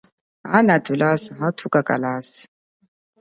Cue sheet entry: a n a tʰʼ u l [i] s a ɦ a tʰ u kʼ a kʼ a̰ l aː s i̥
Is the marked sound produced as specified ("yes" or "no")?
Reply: no